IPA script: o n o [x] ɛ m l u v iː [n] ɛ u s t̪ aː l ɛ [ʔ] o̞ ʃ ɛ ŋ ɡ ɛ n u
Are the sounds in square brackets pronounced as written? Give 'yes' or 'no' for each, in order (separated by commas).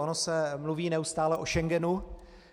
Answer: no, yes, yes